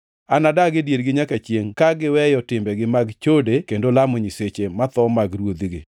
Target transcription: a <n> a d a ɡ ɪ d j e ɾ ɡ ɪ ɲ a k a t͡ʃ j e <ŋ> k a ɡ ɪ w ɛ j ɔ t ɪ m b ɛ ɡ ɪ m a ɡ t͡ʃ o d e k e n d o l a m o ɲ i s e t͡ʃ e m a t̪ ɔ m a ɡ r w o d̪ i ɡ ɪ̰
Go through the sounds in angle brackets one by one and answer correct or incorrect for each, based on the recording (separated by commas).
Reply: correct, correct